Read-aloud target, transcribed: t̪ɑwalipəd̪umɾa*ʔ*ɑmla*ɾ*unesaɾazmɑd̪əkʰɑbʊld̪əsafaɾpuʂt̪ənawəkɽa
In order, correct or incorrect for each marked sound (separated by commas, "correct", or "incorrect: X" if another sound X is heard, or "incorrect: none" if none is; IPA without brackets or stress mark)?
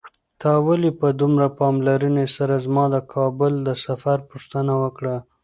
incorrect: p, correct